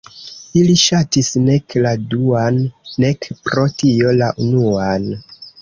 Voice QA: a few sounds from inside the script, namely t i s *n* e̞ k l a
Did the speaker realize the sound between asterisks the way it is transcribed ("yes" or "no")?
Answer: yes